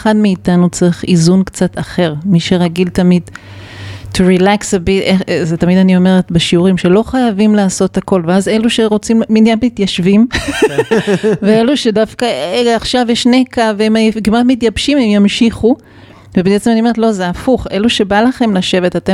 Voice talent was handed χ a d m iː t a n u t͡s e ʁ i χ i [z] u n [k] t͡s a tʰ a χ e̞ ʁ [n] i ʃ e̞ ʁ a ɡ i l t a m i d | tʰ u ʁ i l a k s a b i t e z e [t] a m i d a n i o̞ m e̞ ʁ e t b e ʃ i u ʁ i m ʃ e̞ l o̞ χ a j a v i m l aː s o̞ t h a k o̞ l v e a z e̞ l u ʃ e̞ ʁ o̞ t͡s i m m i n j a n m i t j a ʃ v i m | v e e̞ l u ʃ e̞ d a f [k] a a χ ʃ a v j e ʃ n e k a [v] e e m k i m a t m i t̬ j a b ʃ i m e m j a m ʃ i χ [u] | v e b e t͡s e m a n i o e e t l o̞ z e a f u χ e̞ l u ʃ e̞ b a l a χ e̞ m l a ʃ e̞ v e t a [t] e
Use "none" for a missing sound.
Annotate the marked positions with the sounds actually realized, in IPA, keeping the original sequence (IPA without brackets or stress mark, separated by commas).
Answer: z, k, m, t, k, v, u, t